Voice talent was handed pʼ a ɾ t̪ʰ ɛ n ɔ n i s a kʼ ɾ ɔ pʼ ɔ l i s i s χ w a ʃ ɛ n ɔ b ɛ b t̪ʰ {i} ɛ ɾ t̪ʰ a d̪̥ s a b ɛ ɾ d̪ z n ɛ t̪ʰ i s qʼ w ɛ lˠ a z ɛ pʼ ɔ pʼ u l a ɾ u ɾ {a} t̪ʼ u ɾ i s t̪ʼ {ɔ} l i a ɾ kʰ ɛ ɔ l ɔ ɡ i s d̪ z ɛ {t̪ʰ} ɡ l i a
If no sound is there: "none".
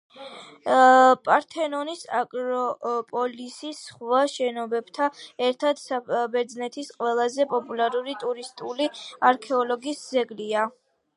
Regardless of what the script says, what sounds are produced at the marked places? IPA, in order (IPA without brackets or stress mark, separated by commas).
a, i, u, none